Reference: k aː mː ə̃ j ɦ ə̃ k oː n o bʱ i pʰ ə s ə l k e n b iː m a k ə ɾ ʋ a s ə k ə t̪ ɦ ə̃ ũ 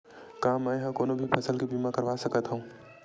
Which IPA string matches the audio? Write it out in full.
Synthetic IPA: k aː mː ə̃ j ɦ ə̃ k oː n o bʱ i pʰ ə s ə l k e b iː m a k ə ɾ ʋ a s ə k ə t̪ ɦ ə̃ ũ

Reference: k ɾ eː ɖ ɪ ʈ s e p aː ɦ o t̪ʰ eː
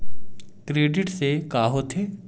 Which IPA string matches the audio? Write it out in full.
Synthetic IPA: k ɾ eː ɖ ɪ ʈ s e k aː ɦ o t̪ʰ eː

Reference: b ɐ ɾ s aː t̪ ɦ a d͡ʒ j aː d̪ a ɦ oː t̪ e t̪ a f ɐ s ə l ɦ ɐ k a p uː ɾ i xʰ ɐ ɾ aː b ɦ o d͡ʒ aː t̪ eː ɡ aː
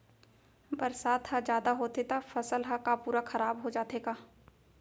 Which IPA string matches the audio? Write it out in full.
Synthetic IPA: b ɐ ɾ s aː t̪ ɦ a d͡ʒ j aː d̪ a ɦ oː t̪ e t̪ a f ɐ s ə l ɦ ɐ k a p uː ɾ a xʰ ɐ ɾ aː b ɦ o d͡ʒ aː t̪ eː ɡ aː

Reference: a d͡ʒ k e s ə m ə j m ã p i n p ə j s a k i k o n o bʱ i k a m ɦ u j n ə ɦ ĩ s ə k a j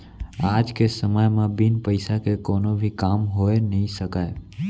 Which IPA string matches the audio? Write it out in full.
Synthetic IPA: a d͡ʒ k e s ə m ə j m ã b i n p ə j s a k e k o n o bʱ i k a m ɦ o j n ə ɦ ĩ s ə k a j

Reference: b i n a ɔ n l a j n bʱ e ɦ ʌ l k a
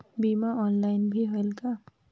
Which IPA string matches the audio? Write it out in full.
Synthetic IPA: b i m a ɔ n l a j n bʱ i ɦ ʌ l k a

